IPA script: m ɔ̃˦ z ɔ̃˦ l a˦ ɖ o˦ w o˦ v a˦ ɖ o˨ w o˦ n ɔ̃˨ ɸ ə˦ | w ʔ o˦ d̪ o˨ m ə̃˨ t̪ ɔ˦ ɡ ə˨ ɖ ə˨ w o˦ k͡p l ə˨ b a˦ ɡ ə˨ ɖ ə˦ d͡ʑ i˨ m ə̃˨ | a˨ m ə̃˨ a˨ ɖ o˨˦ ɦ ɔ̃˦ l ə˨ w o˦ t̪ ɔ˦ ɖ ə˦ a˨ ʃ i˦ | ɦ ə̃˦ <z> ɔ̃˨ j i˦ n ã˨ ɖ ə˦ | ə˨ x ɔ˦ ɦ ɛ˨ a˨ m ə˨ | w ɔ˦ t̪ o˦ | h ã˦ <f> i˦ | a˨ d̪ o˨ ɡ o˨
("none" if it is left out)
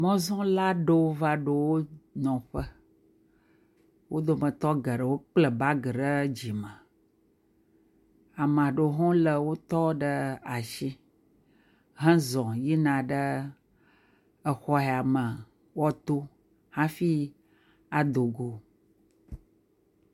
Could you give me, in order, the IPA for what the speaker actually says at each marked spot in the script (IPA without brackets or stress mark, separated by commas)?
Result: z, f